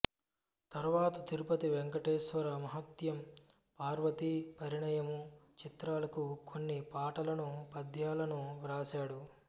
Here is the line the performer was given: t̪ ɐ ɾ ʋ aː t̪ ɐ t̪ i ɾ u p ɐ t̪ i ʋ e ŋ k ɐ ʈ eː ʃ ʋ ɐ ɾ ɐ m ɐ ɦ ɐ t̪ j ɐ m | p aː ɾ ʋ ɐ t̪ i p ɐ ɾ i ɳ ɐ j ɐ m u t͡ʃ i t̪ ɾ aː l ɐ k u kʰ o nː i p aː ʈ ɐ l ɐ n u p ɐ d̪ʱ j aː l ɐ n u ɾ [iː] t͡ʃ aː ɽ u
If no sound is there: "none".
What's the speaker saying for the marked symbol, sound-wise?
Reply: aː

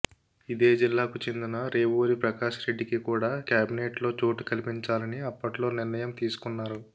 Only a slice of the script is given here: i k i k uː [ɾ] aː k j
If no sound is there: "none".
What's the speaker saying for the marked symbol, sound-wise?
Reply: ɽ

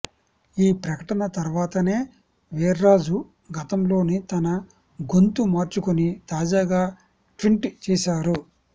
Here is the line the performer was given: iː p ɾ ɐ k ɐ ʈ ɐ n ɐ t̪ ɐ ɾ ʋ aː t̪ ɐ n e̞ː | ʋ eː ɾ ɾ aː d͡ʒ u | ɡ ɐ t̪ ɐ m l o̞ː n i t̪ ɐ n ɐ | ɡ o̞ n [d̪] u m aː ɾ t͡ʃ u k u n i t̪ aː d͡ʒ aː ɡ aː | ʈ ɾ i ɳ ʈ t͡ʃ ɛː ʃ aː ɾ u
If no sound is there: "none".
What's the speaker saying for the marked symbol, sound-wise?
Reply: t̪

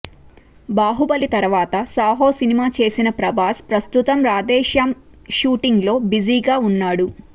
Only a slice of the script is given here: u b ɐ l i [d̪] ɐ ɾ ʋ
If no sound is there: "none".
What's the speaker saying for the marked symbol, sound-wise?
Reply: t̪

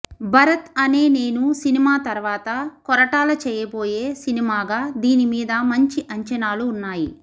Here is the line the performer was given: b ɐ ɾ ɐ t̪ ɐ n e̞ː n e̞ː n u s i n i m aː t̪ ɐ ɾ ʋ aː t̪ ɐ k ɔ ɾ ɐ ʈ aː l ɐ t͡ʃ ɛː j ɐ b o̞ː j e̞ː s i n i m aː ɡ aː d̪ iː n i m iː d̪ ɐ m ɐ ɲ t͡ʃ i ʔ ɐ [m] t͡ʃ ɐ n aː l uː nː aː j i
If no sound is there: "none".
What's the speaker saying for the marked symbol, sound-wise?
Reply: ɲ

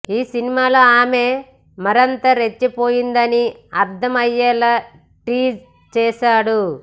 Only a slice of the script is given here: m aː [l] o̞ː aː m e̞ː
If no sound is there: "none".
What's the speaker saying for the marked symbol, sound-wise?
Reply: l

